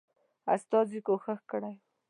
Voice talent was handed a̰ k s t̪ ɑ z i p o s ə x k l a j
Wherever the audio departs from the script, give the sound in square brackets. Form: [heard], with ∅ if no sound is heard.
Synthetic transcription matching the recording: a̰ [∅] s t̪ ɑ z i [k] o [x] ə x k [ɽ] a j